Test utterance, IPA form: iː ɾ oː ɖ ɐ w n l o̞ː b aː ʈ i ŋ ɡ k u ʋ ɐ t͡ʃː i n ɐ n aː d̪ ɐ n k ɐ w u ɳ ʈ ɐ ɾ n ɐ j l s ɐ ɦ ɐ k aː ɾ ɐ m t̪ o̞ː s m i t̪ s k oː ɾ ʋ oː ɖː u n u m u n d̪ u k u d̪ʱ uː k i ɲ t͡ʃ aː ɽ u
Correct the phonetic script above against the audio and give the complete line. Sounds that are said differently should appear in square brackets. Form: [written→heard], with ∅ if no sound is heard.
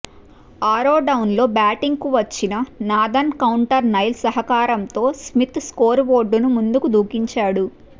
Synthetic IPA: [iː→aː] ɾ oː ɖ ɐ w n l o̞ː b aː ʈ i ŋ ɡ k u ʋ ɐ t͡ʃː i n ɐ n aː d̪ ɐ n k ɐ w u ɳ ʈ ɐ ɾ n ɐ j l s ɐ ɦ ɐ k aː ɾ ɐ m t̪ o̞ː s m i t̪ s k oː ɾ ʋ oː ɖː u n u m u n d̪ u k u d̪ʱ uː k i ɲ t͡ʃ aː ɽ u